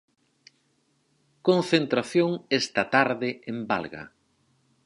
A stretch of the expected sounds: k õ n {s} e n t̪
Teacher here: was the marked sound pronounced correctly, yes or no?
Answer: no